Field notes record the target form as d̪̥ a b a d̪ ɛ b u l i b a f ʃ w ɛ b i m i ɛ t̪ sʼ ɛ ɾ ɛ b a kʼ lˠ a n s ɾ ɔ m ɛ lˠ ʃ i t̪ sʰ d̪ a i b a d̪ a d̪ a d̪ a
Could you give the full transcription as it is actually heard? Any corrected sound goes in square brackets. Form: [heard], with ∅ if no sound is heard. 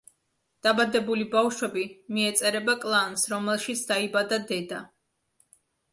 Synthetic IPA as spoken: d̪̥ a b a d̪ ɛ b u l i b a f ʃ w ɛ b i m i ɛ t̪ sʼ ɛ ɾ ɛ b a kʼ lˠ a n s ɾ ɔ m ɛ lˠ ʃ i t̪ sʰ d̪ a i b a d̪ a d̪ [ɛ] d̪ a